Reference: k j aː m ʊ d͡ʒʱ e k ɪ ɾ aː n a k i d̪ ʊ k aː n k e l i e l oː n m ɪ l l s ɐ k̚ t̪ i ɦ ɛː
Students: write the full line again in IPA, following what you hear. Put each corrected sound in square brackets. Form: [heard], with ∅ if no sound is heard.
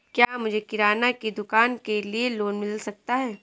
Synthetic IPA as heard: k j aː m ʊ d͡ʒʱ e k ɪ ɾ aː n a k i d̪ ʊ k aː n k e l i e l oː n m ɪ l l s ɐ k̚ t̪ [a] ɦ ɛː